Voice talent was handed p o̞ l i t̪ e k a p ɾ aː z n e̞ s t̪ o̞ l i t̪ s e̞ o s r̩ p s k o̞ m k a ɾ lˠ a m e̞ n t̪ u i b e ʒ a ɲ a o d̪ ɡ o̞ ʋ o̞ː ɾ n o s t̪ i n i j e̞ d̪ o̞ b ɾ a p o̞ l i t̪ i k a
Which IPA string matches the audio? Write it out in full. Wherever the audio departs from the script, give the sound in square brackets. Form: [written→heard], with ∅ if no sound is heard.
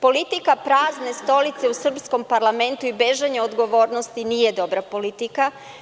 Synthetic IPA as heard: p o̞ l i t̪ [e→i] k a p ɾ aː z n e̞ s t̪ o̞ l i t̪ s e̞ [o→u] s r̩ p s k o̞ m [k→p] a ɾ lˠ a m e̞ n t̪ u i b e ʒ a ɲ [a→e] o d̪ ɡ o̞ ʋ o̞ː ɾ n o s t̪ i n i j e̞ d̪ o̞ b ɾ a p o̞ l i t̪ i k a